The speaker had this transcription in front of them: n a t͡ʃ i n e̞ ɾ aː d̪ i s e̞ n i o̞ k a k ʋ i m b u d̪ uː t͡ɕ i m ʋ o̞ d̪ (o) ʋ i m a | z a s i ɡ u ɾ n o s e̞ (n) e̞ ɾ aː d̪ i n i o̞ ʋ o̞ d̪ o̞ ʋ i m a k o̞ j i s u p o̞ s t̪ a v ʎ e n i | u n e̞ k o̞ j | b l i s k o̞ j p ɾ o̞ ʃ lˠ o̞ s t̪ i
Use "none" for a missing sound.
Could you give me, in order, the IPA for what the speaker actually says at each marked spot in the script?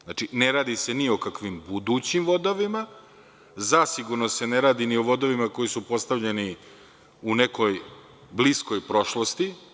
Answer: o, n

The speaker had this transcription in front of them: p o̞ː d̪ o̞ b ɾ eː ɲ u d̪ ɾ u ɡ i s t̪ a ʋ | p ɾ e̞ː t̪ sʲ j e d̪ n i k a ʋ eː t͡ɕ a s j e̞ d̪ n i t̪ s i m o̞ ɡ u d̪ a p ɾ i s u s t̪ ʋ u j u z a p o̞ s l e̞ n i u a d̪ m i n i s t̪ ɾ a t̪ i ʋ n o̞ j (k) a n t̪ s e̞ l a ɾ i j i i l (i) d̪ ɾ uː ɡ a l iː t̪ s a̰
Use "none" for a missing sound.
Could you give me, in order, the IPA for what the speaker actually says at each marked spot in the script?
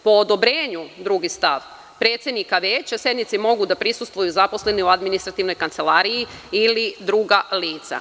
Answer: k, i

